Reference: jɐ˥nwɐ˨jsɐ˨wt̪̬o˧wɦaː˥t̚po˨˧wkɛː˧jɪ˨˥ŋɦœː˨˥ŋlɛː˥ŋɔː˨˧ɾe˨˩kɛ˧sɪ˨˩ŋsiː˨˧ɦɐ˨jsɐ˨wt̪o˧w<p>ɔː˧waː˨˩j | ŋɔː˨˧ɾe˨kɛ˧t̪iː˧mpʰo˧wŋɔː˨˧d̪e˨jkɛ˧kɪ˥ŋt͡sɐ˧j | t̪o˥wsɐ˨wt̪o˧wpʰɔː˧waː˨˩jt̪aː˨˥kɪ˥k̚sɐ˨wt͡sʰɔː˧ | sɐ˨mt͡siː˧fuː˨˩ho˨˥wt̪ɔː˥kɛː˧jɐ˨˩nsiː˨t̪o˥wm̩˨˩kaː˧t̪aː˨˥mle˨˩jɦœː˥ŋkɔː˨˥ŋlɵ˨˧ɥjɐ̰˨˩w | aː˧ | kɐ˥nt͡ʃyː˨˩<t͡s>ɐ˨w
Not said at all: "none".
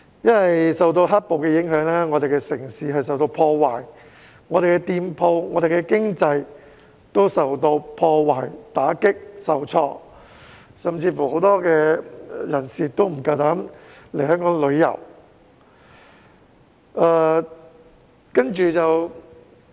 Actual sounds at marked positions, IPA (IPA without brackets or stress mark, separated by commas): pʰ, t͡s